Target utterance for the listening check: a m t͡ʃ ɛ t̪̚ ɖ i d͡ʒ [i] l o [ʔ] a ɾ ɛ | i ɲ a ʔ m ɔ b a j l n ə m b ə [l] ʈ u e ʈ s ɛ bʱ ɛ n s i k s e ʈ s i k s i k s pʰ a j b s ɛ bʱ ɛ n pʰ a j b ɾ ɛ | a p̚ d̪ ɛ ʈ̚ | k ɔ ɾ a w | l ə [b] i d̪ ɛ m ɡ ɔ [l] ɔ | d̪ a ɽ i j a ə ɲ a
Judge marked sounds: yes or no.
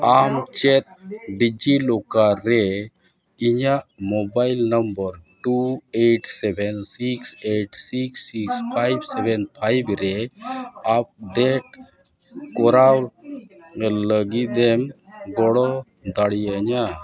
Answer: yes, no, no, no, no

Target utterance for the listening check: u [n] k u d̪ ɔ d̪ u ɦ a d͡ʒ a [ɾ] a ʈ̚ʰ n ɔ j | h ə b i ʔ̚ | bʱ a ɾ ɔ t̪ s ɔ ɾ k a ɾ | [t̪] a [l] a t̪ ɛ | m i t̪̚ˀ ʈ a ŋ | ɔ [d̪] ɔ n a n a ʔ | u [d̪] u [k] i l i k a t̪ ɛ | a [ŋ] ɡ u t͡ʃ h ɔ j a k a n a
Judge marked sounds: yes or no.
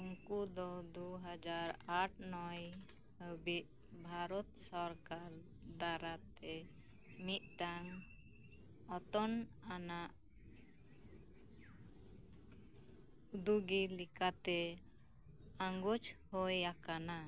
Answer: no, yes, no, no, no, yes, no, yes

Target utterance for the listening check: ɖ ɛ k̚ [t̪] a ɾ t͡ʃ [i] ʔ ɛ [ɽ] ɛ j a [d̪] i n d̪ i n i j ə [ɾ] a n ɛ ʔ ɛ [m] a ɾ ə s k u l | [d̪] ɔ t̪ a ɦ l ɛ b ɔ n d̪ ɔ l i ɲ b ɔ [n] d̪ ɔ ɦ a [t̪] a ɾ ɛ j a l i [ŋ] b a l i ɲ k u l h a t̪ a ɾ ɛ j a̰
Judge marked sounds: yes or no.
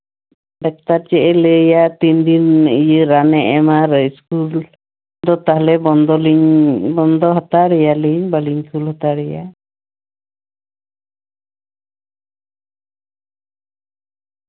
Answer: yes, no, no, no, yes, yes, yes, yes, yes, no

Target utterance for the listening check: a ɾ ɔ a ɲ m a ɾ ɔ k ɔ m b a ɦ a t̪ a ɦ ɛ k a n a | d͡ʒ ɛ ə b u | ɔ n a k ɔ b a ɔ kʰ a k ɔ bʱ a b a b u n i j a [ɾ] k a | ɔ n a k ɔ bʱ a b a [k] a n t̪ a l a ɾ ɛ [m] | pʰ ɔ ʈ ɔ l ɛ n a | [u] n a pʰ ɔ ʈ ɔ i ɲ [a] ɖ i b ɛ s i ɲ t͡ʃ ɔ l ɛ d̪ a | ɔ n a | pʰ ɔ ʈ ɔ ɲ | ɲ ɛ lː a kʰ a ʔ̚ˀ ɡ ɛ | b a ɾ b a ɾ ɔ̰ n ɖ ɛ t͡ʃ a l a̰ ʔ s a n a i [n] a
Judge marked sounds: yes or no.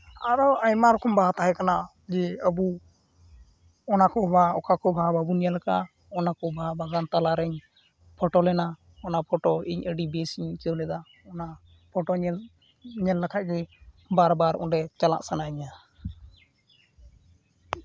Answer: no, no, no, no, no, no

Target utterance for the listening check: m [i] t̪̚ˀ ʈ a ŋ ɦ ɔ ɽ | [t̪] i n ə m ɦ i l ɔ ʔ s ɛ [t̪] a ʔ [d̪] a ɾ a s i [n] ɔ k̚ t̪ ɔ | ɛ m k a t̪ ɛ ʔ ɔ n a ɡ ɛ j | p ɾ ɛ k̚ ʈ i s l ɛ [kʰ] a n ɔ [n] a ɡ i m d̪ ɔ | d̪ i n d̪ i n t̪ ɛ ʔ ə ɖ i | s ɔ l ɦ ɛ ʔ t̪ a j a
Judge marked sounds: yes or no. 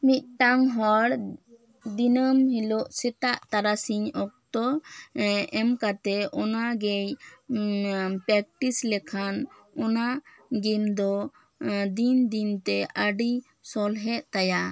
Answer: yes, no, yes, no, no, yes, yes

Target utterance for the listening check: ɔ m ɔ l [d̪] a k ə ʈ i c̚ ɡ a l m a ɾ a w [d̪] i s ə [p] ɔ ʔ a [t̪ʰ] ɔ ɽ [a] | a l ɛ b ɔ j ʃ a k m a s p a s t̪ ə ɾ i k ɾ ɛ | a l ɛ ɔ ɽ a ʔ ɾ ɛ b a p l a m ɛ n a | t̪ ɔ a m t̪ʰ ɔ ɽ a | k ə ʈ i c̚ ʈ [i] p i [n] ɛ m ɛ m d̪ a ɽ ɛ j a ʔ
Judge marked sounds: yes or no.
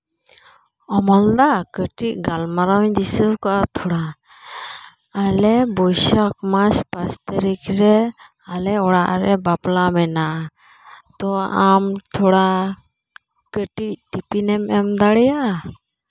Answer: yes, yes, no, yes, yes, yes, yes

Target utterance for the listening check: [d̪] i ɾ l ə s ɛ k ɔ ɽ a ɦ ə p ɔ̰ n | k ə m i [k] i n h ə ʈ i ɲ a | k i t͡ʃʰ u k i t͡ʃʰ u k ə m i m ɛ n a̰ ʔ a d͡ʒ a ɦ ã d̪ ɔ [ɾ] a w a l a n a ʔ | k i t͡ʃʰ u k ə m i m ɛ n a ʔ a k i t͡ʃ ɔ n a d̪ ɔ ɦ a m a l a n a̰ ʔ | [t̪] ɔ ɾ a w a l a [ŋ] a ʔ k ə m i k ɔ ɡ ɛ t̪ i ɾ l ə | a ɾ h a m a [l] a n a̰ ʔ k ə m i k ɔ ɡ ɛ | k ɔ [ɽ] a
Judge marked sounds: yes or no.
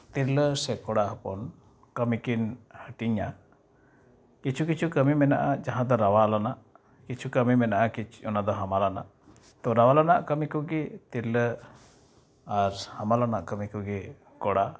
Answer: no, yes, yes, yes, no, yes, yes

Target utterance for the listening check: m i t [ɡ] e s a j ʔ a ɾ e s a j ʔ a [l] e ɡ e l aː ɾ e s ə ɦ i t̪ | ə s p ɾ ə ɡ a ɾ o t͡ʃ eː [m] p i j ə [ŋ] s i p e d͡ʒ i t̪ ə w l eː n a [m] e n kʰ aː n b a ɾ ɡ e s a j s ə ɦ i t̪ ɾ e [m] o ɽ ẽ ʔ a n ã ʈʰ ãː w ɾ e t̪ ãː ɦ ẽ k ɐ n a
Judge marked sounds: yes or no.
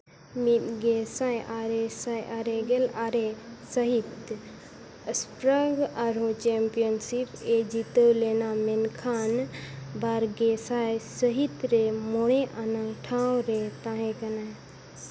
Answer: yes, no, yes, no, yes, yes

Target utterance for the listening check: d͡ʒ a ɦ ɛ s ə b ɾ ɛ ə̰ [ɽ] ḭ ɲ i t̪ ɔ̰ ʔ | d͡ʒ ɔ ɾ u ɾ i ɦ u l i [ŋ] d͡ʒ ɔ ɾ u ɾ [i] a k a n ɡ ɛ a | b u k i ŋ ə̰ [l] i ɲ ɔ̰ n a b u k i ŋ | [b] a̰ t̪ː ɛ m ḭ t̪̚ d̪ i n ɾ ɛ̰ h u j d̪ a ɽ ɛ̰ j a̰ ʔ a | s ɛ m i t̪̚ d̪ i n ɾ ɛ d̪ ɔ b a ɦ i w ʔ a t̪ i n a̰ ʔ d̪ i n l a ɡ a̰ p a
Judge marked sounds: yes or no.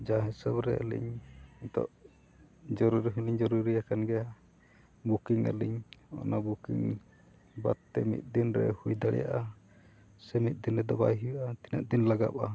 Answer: no, no, yes, yes, yes

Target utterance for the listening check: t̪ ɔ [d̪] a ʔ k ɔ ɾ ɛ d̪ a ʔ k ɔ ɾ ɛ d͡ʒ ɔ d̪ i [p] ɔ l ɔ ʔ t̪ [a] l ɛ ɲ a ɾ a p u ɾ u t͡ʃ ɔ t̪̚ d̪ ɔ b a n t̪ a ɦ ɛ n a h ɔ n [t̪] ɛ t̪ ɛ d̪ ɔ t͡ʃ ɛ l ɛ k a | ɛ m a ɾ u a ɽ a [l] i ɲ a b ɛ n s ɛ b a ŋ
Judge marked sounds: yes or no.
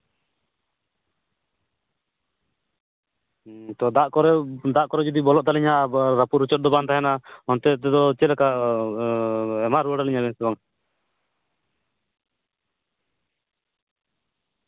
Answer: yes, no, yes, yes, yes

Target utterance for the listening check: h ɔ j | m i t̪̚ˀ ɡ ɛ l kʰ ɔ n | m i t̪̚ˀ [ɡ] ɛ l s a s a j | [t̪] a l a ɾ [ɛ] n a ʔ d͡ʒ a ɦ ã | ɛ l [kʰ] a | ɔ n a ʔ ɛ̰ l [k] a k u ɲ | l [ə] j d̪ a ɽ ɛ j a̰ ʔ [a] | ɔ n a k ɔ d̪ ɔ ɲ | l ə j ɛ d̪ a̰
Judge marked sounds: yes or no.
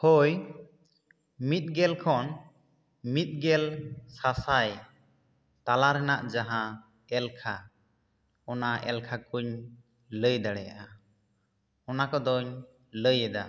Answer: yes, yes, yes, yes, no, yes, yes

